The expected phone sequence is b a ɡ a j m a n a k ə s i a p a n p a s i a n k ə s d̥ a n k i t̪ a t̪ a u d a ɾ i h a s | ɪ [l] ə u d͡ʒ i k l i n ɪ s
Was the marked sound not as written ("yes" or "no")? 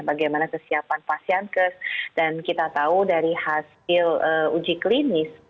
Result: no